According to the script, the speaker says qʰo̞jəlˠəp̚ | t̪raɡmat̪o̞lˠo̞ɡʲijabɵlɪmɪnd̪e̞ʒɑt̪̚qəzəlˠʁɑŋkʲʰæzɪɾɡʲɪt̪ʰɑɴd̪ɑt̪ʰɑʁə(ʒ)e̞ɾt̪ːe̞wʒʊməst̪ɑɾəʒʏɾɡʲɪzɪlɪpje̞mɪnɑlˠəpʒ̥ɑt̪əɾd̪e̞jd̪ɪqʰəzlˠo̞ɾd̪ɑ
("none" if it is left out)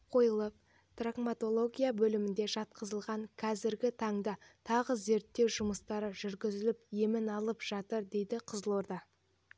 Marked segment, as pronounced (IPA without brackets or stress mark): z